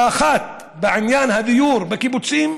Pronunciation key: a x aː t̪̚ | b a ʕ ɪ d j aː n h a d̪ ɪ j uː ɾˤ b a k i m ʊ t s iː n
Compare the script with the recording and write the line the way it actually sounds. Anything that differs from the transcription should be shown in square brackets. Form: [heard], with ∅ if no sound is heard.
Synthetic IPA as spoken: a x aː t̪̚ | b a ʕ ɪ [n] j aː n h a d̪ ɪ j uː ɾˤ b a k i [b] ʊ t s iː [m]